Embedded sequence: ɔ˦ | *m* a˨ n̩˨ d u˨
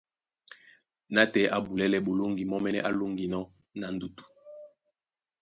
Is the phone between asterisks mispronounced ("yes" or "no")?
yes